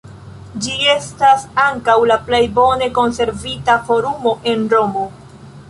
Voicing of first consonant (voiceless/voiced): voiced